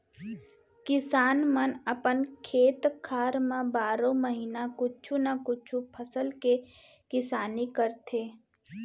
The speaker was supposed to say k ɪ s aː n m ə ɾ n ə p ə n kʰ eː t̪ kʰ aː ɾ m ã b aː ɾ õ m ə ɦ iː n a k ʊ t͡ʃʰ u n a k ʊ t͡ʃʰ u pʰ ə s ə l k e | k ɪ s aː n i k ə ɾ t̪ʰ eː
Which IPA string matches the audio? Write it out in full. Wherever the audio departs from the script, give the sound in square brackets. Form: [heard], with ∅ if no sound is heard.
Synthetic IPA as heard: k ɪ s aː n m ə [∅] n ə p ə n kʰ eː t̪ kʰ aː ɾ m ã b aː ɾ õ m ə ɦ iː n a k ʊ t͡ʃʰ u n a k ʊ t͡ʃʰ u pʰ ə s ə l k e | k ɪ s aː n i k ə ɾ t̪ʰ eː